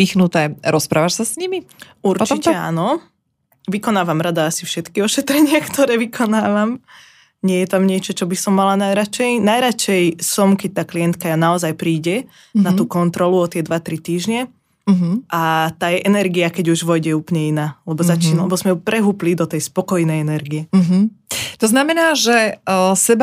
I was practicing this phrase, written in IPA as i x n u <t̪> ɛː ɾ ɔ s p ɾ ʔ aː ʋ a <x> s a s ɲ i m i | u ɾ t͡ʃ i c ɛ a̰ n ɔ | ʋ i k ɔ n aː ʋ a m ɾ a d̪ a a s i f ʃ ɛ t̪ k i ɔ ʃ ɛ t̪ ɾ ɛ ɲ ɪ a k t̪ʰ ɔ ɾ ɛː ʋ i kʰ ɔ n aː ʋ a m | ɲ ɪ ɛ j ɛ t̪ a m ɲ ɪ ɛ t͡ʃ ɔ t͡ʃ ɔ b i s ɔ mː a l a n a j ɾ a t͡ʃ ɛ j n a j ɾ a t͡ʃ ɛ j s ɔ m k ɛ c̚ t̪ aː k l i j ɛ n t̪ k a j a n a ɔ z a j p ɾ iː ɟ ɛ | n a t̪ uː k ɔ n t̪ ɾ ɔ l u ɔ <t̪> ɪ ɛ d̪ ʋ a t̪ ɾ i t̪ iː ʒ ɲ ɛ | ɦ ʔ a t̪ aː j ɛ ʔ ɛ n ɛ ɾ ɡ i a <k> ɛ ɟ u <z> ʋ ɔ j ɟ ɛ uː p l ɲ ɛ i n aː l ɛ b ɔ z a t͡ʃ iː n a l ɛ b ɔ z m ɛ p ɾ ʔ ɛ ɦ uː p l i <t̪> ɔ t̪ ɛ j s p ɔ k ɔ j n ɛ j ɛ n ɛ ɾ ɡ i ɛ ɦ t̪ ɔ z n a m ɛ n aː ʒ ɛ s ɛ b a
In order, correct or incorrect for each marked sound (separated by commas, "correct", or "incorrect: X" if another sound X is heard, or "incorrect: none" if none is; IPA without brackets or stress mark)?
correct, incorrect: ʃ, correct, correct, incorrect: ʒ, incorrect: d̪